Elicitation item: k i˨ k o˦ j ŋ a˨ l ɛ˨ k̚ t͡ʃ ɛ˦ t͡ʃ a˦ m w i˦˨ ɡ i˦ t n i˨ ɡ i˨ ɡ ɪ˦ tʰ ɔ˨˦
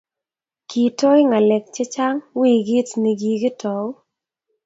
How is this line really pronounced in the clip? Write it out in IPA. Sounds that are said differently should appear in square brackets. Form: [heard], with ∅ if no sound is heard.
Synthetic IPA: k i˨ [t] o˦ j ŋ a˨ l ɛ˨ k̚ t͡ʃ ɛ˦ t͡ʃ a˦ [ŋ] w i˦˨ ɡ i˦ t n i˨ ɡ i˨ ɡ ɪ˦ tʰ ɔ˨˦